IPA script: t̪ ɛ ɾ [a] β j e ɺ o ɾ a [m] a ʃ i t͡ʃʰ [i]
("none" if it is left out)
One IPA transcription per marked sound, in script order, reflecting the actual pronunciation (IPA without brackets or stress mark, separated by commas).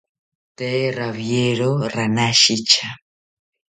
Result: a, n, a